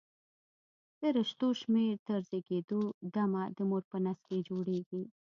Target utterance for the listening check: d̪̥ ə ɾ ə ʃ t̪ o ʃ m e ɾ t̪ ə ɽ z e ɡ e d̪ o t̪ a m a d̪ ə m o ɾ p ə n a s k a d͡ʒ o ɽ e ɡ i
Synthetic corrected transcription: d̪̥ ə ɾ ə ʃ t̪ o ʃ m e ɾ t̪ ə ɾ z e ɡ e d̪ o d̪ a m a d̪ ə m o ɾ p ə n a s k e d͡ʒ o ɽ e ɡ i